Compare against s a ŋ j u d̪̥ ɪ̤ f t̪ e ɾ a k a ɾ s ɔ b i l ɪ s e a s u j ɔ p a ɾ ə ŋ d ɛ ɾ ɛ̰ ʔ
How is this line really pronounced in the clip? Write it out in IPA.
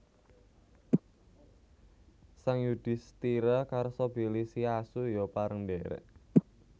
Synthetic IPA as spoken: s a ŋ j u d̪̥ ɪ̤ s t̪ i ɾ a k a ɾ s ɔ b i l i s i a s u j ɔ p a ɾ ə ŋ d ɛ ɾ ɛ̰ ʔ